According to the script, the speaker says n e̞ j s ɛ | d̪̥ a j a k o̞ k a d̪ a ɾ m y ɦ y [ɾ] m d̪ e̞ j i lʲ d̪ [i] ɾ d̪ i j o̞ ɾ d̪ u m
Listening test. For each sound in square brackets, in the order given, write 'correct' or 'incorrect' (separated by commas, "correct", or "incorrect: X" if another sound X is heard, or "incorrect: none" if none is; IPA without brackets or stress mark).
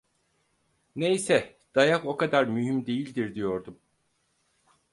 incorrect: none, correct